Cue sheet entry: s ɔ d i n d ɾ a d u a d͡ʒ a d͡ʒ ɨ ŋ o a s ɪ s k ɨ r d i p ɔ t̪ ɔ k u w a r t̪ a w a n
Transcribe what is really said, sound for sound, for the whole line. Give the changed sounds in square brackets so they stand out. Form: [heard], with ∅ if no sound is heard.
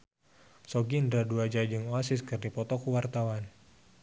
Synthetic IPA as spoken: s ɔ [ɡ] i n d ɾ a d u a d͡ʒ a d͡ʒ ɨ ŋ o a s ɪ s k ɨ r d i p ɔ t̪ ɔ k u w a r t̪ a w a n